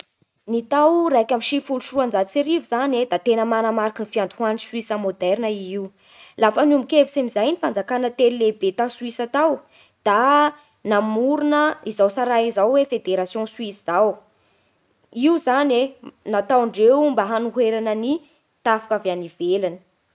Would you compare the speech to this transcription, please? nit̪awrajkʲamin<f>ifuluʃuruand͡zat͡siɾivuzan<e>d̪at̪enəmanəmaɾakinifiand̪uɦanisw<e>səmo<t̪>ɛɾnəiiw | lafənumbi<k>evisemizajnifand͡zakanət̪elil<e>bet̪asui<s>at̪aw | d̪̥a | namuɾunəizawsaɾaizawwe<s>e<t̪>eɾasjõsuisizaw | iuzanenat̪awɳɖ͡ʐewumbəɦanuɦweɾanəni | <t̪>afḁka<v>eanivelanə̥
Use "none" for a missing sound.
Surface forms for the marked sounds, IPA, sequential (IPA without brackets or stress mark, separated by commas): ʃ, e, i, d̪, k, e, s, f, d̪, t̪, v